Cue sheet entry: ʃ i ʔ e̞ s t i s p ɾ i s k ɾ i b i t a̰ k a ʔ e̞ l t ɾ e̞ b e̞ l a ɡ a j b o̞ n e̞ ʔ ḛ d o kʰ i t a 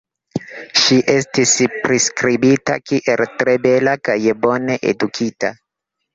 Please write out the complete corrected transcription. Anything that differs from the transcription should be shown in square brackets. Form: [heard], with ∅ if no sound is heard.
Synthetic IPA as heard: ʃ i ʔ e̞ s t i s p ɾ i s k ɾ i b i t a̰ k [i] ʔ e̞ l t ɾ e̞ b e̞ l a [k] a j b o̞ n e̞ ʔ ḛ d [u] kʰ i t a